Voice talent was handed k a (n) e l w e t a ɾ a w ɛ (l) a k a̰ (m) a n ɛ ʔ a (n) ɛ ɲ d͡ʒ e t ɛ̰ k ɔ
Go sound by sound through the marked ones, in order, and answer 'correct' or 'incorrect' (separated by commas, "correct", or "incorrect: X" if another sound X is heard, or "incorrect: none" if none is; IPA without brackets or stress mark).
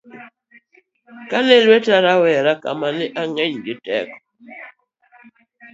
correct, incorrect: ɾ, correct, incorrect: ŋ